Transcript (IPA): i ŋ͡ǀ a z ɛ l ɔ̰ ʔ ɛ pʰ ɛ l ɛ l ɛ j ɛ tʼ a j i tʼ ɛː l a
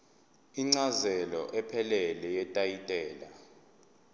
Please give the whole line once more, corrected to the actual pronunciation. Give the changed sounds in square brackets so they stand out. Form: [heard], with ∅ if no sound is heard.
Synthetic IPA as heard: i ŋ͡ǀ a z ɛ l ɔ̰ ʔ ɛ pʰ ɛ l ɛ l ɛ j ɛ tʼ a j i tʼ ɛː l a